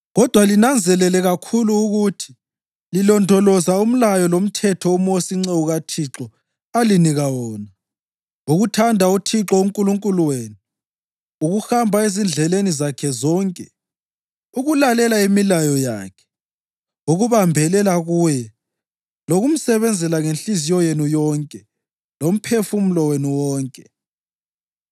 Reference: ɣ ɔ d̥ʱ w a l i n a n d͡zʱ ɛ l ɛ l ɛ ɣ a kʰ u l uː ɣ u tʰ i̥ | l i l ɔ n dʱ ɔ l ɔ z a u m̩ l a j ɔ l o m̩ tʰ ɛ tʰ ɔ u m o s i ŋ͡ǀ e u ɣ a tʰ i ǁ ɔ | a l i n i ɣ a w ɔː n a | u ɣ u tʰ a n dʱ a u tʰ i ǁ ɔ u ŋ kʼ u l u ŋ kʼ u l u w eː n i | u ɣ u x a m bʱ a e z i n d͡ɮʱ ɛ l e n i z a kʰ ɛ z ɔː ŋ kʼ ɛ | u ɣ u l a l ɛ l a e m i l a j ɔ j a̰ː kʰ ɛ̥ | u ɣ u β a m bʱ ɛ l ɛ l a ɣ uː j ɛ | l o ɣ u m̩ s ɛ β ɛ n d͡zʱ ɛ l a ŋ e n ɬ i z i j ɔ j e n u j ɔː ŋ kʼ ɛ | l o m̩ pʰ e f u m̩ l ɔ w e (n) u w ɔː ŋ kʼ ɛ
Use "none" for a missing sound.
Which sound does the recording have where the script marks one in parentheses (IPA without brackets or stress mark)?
n